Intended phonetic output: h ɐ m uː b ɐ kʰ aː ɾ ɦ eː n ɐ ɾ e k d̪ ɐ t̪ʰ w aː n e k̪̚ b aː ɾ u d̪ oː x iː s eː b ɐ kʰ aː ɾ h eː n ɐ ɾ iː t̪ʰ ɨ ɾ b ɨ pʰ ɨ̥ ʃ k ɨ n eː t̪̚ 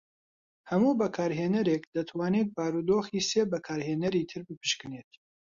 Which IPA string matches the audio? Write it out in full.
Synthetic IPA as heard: h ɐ m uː b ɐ kʰ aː ɾ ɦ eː n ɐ ɾ e k d̪ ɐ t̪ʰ w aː n e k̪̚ b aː ɾ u d̪ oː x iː s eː b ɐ kʰ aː ɾ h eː n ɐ ɾ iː t̪ʰ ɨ ɾ b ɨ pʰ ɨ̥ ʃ k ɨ n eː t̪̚